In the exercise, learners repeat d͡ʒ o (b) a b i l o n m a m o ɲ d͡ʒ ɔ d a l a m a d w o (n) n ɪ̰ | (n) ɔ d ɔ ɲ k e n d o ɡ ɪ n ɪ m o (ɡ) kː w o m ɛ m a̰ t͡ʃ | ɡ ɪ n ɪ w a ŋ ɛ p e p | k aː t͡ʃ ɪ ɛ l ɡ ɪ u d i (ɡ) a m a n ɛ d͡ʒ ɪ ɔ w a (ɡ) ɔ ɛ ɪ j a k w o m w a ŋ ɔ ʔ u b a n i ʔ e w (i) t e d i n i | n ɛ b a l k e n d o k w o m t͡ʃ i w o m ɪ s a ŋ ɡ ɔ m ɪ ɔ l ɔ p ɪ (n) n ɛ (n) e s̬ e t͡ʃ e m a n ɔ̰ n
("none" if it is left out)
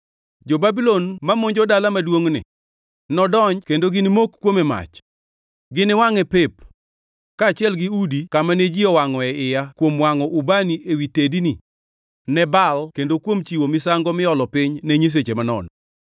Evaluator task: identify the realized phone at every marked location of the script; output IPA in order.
b, ŋ, n, k, k, ŋ, i, ɲ, ɲ

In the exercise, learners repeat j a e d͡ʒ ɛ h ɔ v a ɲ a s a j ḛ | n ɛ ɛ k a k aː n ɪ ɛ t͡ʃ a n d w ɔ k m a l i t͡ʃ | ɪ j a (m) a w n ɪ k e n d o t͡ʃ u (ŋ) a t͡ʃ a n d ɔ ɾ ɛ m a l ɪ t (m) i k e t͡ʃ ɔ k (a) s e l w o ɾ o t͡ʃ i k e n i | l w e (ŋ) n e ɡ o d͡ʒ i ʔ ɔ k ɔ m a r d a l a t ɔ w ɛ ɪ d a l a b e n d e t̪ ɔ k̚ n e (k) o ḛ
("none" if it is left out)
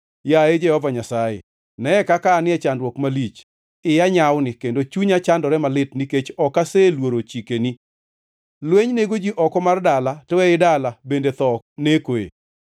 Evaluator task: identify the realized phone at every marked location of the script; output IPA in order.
ɲ, ɲ, n, a, ɲ, k

